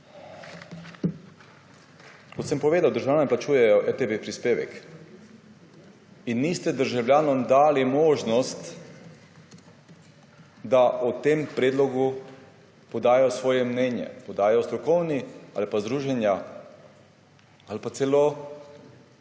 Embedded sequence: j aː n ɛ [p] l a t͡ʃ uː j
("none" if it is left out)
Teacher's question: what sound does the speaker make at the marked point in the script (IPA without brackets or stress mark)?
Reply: p